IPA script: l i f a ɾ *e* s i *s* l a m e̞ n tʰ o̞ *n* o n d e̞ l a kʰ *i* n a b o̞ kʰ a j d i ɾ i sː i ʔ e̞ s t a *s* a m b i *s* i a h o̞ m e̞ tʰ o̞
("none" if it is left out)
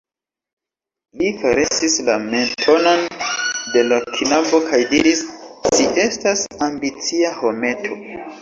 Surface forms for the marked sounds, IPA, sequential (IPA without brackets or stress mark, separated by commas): e, s, n, i, s, t͡s